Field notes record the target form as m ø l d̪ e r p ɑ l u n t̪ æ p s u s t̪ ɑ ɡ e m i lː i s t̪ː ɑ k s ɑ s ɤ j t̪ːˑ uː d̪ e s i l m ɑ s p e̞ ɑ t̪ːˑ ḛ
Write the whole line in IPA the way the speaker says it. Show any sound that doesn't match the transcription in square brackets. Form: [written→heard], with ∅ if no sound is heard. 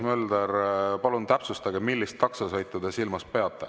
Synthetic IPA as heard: m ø l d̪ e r p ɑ l u n t̪ æ p s u s t̪ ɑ ɡ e m i lː i s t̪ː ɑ k s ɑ s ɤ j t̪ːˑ [uː→u] d̪ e s i l m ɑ s p e̞ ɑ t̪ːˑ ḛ